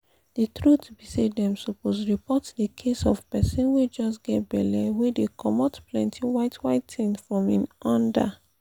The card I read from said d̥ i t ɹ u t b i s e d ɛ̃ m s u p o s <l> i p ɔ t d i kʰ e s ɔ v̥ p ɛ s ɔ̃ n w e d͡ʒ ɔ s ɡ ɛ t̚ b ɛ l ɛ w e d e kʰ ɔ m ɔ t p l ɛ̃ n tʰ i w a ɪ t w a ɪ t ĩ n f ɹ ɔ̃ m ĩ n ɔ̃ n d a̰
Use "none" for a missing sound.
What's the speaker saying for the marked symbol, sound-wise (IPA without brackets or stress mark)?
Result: ɹ